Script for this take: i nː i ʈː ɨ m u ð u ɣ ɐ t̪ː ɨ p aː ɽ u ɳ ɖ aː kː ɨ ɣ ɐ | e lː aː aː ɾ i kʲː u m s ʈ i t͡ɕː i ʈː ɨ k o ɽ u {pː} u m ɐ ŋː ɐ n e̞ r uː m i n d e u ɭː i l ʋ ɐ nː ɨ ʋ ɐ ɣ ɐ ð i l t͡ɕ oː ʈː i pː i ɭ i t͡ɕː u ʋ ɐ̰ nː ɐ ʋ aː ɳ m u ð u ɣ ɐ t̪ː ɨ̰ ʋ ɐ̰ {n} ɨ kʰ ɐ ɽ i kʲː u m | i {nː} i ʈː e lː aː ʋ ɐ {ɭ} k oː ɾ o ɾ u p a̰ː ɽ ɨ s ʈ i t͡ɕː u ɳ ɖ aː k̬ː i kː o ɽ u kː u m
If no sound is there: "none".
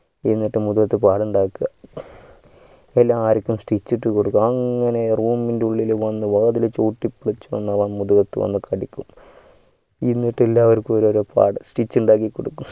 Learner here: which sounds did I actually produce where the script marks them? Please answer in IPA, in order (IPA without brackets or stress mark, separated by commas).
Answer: kː, nː, nː, ɾ